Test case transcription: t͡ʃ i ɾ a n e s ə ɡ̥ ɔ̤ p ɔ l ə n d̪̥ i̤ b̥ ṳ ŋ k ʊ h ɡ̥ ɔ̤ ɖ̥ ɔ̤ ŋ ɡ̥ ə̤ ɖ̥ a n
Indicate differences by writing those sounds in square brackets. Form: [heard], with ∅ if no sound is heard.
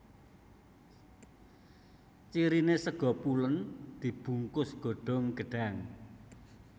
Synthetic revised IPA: t͡ʃ i ɾ [i] n e s ə ɡ̥ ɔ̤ p [u] l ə n d̪̥ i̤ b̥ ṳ ŋ k ʊ [s] ɡ̥ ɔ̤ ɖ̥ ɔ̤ ŋ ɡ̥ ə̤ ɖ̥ a [ŋ]